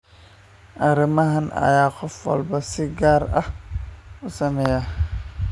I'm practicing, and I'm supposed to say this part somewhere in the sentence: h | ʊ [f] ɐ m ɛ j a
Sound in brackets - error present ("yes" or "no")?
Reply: yes